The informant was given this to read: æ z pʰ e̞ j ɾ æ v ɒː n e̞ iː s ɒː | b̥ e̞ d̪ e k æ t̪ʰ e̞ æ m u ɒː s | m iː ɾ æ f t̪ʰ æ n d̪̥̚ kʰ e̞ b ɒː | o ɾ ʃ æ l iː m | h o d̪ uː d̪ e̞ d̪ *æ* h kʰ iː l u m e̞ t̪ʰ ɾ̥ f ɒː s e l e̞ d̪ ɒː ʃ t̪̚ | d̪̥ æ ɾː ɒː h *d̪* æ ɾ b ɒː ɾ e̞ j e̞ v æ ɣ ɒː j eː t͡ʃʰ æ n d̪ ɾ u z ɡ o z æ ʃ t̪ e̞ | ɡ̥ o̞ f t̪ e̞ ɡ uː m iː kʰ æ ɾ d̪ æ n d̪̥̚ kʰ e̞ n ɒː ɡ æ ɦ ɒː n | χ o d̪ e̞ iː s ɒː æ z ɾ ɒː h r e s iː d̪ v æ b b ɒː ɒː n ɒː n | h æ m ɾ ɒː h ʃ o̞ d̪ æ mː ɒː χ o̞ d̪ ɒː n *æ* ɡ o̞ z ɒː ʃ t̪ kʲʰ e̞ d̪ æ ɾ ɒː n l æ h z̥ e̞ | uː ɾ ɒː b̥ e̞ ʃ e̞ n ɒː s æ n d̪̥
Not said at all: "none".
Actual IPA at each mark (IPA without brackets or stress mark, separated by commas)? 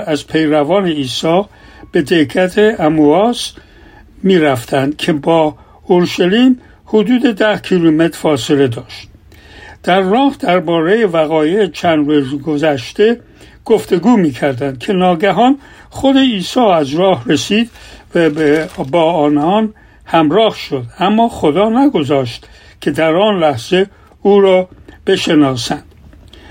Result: æ, d̪, æ